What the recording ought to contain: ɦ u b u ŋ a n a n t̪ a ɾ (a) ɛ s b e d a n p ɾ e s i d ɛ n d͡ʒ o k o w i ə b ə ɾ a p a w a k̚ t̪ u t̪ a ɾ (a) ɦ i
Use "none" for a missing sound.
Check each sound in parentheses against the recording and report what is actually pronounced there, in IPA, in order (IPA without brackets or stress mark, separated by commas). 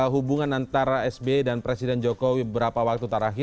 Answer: a, a